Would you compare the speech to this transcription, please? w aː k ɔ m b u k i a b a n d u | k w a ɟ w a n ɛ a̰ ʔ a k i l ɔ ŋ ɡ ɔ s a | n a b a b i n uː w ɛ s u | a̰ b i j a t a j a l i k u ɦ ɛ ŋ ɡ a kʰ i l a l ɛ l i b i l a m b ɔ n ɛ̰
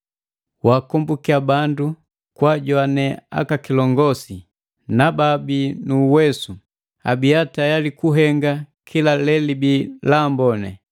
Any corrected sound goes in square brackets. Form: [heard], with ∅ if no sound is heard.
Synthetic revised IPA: w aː k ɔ m b u k i a b a n d u | k w a ɟ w a n ɛ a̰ [k] a k i l ɔ ŋ ɡ ɔ s [i] | n a b a b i n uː w ɛ s u | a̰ b i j a t a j a l i k u ɦ ɛ ŋ ɡ a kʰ i l a l ɛ l i b i l a m b ɔ n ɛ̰